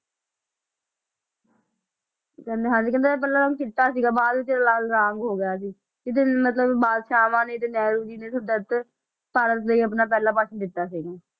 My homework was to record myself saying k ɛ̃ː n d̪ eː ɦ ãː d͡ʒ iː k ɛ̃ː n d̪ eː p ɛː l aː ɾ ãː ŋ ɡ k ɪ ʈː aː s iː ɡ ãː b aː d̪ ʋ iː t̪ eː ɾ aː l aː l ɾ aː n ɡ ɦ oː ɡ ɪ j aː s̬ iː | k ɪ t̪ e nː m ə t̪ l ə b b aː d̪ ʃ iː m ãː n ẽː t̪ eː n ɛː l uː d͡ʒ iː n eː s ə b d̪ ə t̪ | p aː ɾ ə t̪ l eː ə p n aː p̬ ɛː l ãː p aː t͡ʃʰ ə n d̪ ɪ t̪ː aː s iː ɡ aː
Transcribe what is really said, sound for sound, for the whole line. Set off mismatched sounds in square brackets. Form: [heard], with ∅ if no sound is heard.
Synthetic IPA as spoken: k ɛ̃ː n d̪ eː ɦ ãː d͡ʒ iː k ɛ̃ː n d̪ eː p ɛː l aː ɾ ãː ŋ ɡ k ɪ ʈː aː s iː ɡ [aː] b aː d̪ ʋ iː t̪ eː ɾ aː l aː l ɾ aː [ŋ] ɡ ɦ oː ɡ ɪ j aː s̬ iː | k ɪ t̪ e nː m ə t̪ l ə b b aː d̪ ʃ [aː] m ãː n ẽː t̪ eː n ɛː [ɾ] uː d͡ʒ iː n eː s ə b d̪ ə t̪ | p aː ɾ ə t̪ l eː ə p n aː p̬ ɛː l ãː p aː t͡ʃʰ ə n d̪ ɪ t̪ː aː s iː ɡ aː